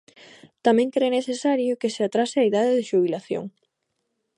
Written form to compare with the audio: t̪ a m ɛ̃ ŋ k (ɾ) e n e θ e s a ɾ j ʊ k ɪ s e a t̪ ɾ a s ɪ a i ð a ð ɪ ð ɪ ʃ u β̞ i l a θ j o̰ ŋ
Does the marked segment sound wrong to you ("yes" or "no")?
no